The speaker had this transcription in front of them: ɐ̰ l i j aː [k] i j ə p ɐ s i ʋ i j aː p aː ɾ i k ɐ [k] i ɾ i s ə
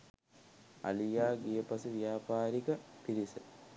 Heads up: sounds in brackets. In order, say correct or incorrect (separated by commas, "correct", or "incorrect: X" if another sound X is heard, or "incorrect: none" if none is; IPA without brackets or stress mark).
incorrect: ɡ, incorrect: p